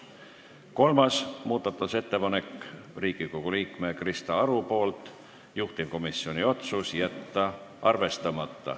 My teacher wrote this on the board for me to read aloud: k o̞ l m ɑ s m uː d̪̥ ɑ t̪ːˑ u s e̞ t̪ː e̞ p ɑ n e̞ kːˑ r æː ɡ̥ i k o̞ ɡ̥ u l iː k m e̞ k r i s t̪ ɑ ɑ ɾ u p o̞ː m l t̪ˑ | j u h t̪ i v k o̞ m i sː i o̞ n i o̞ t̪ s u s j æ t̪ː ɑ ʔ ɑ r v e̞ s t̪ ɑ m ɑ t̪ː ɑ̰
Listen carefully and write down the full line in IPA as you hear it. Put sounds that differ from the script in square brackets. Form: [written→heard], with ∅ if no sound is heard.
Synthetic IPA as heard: k o̞ l m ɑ s m uː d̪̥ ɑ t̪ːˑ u s e̞ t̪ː e̞ p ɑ n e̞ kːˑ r [æː→iː] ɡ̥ i k o̞ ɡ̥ u l iː k m e̞ k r i s t̪ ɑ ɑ ɾ u p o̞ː [m→∅] l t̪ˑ | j u h t̪ i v k o̞ m i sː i o̞ n i o̞ t̪ s u s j æ t̪ː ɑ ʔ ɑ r v e̞ s t̪ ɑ m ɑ t̪ː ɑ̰